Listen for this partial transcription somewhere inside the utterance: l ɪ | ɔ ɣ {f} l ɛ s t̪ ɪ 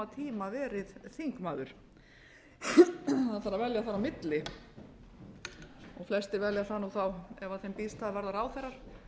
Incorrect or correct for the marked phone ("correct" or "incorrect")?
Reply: correct